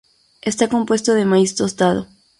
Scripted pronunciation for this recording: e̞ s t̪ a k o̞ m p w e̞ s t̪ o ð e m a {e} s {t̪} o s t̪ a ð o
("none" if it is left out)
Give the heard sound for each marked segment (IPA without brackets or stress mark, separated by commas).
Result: i, t̪